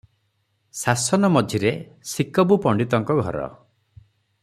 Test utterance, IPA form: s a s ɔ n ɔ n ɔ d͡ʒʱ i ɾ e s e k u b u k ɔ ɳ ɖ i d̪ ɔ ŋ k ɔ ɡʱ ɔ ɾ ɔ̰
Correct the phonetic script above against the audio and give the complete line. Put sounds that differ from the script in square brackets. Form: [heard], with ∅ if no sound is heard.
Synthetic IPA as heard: s a s ɔ n ɔ [m] ɔ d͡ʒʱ i ɾ e s [i] k [ɔ] b u [p] ɔ ɳ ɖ i [t̪] ɔ ŋ k ɔ ɡʱ ɔ ɾ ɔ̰